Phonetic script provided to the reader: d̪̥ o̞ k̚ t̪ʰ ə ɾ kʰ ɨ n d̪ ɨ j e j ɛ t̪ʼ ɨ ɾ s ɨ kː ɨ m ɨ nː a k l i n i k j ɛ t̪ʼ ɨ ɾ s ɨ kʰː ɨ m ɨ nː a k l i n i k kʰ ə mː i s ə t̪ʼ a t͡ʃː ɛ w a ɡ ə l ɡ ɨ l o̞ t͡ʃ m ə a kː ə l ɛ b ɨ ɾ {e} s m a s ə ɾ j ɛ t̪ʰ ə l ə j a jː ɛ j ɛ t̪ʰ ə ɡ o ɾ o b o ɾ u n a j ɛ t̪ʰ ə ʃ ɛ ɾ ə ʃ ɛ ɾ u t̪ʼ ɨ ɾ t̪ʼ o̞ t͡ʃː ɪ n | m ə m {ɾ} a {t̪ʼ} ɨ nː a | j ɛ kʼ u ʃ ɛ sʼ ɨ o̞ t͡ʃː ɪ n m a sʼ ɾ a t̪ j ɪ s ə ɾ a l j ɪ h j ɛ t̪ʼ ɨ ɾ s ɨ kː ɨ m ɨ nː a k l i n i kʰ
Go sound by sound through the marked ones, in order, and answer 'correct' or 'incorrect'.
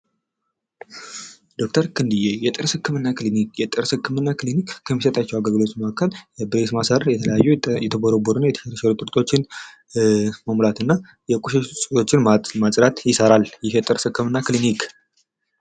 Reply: correct, incorrect: l, incorrect: t̪

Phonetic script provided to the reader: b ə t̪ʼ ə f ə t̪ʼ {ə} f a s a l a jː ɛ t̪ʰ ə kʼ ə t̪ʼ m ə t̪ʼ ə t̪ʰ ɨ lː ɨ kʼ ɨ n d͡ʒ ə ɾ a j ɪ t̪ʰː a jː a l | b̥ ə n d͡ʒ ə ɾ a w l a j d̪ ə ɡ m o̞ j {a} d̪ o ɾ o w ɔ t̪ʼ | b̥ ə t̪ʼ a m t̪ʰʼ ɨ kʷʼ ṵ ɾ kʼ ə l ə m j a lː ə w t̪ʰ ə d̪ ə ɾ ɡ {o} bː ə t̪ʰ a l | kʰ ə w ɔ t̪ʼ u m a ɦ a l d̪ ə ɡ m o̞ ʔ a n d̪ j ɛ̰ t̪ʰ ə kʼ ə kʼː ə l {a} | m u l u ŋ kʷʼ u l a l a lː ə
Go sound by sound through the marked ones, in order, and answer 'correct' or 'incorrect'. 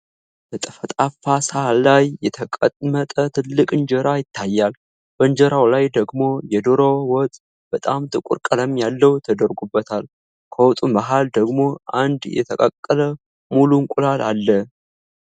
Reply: incorrect: a, incorrect: ɛ, incorrect: u, incorrect: ə

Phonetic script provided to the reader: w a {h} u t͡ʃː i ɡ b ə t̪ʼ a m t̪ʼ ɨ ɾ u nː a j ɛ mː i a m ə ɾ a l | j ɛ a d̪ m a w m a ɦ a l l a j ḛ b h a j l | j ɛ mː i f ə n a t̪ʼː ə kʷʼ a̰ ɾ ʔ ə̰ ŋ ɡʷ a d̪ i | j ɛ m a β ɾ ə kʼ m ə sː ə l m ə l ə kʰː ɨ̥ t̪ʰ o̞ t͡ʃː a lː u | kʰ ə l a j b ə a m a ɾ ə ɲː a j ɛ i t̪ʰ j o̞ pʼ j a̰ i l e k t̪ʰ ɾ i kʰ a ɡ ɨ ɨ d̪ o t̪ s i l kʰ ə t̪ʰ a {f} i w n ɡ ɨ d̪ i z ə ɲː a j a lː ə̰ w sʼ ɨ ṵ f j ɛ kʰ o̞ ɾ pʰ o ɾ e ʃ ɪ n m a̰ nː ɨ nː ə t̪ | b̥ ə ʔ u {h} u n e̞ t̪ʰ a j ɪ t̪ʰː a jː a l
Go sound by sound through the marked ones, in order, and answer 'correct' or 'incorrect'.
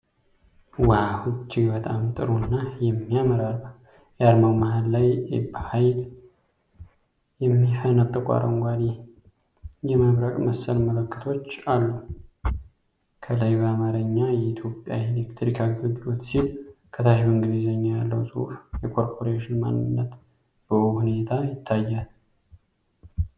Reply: correct, incorrect: ʃ, correct

